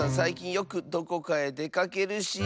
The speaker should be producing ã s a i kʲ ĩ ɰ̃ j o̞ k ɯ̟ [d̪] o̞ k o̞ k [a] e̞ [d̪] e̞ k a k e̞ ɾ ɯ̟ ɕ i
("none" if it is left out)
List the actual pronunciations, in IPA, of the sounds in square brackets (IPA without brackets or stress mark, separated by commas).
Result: d̪, a, d̪